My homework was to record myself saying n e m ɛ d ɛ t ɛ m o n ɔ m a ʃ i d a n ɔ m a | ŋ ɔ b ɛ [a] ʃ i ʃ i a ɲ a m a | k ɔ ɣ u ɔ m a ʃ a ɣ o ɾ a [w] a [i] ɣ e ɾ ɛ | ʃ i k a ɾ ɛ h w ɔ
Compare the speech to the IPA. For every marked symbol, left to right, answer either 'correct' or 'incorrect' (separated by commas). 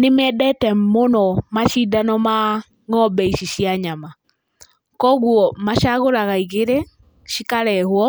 incorrect, incorrect, correct